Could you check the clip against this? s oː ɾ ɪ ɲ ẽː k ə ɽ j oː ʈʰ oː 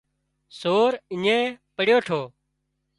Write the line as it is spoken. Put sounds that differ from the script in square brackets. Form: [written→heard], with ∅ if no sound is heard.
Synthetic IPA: s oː ɾ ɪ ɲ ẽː [k→p] ə ɽ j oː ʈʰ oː